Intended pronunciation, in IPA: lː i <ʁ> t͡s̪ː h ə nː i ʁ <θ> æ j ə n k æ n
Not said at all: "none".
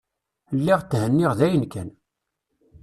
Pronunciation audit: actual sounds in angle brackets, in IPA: ʁ, ð

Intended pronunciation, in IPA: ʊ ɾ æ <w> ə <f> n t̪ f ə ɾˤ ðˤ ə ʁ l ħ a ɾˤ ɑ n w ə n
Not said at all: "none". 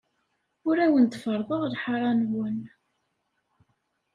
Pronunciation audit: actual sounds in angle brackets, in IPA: w, none

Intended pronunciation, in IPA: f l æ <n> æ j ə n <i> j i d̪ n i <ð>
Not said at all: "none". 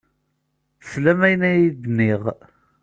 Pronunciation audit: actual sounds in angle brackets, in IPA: m, æ, ʁ

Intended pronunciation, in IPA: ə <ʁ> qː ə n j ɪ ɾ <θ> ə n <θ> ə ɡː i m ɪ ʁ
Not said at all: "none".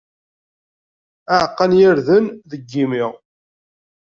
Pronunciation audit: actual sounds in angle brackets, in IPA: ʕ, ð, ð

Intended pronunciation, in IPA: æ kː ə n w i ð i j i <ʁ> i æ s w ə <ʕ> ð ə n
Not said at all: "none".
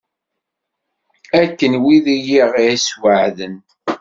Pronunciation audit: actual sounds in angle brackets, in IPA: ʁ, ʕ

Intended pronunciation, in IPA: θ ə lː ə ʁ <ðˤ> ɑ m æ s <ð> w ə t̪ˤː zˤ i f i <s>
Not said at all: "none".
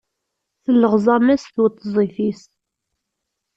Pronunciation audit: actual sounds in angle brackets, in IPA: zˤ, θ, s

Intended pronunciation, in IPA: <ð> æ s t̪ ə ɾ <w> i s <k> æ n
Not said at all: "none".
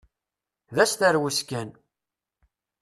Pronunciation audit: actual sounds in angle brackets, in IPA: ð, w, k

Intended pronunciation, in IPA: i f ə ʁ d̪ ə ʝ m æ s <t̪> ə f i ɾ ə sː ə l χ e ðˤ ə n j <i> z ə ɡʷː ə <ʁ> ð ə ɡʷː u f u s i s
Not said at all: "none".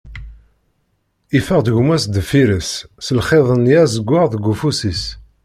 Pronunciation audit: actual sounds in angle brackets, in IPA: d̪, æ, ʁ

